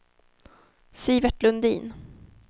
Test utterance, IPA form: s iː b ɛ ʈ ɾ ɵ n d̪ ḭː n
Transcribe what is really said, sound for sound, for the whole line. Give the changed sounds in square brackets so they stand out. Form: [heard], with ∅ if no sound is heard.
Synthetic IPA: s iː [v] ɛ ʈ [l] ɵ n d̪ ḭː n